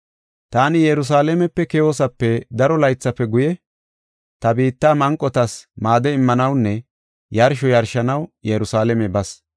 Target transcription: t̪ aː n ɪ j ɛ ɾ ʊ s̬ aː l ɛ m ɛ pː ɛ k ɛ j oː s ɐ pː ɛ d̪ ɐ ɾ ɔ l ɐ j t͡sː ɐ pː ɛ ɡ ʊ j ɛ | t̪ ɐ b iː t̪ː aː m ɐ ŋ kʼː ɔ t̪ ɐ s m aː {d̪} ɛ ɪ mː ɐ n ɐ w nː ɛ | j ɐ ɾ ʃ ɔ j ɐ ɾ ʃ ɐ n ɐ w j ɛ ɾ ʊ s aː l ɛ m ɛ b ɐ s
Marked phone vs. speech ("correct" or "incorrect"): correct